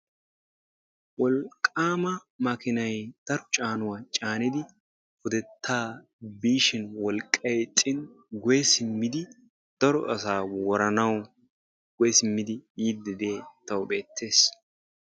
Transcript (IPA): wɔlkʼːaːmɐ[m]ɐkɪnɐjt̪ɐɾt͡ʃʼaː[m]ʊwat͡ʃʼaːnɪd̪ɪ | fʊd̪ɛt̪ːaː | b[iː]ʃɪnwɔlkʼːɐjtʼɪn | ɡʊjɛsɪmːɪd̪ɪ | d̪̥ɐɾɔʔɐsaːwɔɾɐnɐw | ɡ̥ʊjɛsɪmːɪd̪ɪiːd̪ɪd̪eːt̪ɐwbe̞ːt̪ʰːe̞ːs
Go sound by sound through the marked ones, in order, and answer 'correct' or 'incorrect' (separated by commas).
correct, incorrect, correct